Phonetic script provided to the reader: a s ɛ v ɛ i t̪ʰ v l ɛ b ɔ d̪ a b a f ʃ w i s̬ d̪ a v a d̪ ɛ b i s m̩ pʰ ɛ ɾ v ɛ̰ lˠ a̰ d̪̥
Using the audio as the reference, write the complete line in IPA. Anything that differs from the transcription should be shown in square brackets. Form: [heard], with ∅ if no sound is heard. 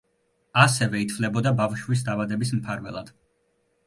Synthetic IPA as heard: a s ɛ v ɛ i t̪ʰ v l ɛ b ɔ d̪ a b a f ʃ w i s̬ d̪ a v a d̪ ɛ b i s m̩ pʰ [a] ɾ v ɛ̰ lˠ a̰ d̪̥